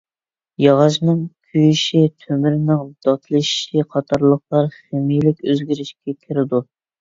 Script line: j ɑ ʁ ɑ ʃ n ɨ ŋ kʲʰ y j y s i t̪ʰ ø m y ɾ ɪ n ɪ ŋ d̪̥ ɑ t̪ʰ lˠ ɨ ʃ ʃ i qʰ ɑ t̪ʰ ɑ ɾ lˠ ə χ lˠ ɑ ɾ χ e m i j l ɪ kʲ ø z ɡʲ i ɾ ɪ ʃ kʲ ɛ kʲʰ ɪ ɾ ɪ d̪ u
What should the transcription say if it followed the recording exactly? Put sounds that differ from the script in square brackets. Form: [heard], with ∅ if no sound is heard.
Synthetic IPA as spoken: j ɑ ʁ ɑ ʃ n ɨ ŋ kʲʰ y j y [ʃ] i t̪ʰ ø m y ɾ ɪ n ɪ ŋ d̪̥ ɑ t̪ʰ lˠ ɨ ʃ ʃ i qʰ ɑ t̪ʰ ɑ ɾ lˠ ə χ lˠ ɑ ɾ χ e m i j l ɪ kʲ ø z ɡʲ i ɾ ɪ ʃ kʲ ɛ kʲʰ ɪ ɾ ɪ d̪ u